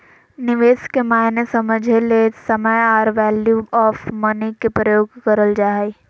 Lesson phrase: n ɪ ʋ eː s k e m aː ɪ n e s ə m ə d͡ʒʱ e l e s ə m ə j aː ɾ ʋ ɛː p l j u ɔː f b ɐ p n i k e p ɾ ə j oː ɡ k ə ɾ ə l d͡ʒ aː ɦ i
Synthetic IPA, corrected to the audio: n ɪ ʋ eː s k e m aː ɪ n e s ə m ə d͡ʒʱ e l e s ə m ə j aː ɾ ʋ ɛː l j u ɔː f m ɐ n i k e p ɾ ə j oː ɡ k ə ɾ ə l d͡ʒ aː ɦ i

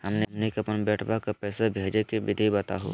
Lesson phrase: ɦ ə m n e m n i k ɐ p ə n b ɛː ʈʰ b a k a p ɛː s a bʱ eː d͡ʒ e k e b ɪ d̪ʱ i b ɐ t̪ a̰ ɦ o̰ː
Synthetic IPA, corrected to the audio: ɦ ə m n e m n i k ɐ p ə n b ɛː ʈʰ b a k a p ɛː s a bʱ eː d͡ʒ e k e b ɪ d̪ʱ i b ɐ t̪ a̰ ɦ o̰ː

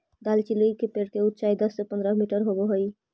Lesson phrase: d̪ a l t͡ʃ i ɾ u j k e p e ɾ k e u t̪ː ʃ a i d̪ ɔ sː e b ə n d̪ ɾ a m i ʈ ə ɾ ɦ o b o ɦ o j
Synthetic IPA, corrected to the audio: d̪ a l t͡ʃ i l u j k e p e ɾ k e u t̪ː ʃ a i d̪ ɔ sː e p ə n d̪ ɾ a m i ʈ ə ɾ ɦ o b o ɦ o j

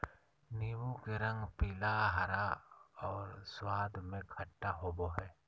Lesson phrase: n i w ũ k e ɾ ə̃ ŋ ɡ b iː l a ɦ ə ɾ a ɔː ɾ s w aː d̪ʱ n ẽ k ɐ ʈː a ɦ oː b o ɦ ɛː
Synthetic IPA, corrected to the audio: n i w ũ k e ɾ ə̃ ŋ ɡ p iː l a ɦ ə ɾ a ɔː ɾ s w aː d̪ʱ m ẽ kʰ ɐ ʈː a ɦ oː b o ɦ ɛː

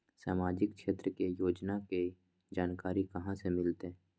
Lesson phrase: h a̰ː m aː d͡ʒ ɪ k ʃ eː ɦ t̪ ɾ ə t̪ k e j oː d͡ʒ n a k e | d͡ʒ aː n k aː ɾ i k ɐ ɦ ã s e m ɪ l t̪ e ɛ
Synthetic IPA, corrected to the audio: s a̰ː m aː d͡ʒ ɪ k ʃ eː t̪ ɾ ə k e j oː d͡ʒ n a k e | d͡ʒ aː n k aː ɾ i k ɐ ɦ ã s e m ɪ l t̪ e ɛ

